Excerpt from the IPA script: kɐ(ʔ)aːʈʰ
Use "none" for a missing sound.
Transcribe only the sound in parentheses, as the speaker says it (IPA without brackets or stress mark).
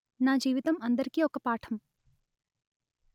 p